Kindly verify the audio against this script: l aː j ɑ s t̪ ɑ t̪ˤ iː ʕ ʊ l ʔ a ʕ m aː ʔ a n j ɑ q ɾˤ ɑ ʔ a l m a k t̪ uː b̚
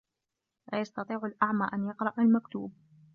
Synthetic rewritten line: l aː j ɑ s t̪ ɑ t̪ˤ iː ʕ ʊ l ʔ a ʕ m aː ʔ a n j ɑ q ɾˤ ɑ ʔ a l m a k t̪ uː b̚